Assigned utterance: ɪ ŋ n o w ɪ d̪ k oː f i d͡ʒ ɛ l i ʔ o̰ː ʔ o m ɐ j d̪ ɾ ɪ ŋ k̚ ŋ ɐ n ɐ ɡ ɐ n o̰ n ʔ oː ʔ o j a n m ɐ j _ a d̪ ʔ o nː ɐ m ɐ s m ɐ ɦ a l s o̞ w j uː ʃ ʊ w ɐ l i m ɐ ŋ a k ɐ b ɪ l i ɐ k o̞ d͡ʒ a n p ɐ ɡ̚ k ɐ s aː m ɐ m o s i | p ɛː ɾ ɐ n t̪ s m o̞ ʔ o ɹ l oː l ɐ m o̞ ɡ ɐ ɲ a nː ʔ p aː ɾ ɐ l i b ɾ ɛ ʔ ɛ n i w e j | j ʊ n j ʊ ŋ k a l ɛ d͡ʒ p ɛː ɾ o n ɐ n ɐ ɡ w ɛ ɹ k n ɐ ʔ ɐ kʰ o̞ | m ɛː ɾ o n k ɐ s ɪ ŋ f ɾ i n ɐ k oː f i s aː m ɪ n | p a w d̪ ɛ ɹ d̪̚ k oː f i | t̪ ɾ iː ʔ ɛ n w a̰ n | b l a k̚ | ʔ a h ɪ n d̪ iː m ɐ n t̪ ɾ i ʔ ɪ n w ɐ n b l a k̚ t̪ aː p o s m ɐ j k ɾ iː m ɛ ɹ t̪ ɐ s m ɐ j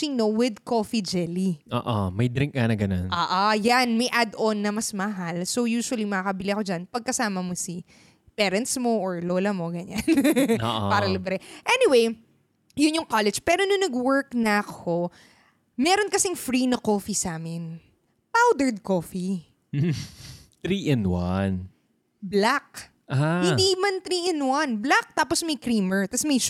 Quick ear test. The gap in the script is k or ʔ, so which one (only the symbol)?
ʔ